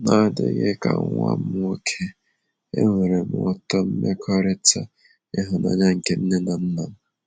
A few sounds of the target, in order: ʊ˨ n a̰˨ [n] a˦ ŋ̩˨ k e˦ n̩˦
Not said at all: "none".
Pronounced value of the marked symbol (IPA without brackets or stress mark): ɲ